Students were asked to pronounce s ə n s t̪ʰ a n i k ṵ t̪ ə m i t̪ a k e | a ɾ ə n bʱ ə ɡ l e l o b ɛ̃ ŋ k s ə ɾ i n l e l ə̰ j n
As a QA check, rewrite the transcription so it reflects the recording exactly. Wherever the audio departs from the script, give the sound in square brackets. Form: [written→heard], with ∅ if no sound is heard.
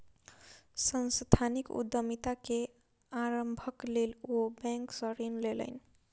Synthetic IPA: s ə n s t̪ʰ a n i k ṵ [t̪→d̪] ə m i t̪ a k e | a ɾ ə [n→m] bʱ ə [ɡ→k] l e l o b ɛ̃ ŋ k s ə ɾ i n l e l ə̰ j n